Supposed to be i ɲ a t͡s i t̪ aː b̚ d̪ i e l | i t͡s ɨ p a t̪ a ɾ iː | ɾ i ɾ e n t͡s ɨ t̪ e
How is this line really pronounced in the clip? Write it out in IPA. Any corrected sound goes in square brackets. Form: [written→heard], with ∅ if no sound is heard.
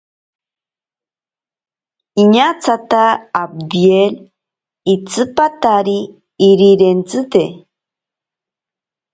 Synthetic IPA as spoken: i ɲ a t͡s [i→a] t̪ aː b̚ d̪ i e l | i t͡s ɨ p a t̪ a ɾ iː | ɾ i ɾ e n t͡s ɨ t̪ e